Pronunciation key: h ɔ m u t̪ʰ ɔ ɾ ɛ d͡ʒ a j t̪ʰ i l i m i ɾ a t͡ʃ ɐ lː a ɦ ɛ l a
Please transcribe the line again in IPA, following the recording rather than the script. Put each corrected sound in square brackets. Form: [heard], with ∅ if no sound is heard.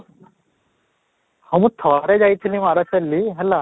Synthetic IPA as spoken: h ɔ m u t̪ʰ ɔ ɾ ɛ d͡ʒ a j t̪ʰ i l i m [a] ɾ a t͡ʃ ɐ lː [i] ɦ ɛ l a